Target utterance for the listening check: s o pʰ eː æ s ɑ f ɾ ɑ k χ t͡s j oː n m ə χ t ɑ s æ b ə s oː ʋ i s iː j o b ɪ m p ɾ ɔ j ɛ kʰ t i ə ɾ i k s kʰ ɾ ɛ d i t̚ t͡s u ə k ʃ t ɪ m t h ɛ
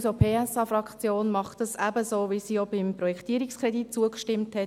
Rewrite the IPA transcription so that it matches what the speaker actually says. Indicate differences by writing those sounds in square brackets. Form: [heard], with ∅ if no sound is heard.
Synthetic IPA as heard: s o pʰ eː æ s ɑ f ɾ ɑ k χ t͡s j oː n m [ɑ] χ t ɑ s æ b ə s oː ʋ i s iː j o b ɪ m p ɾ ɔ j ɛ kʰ t i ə ɾ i k s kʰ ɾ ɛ d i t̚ t͡s u ə k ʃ t ɪ m t h ɛ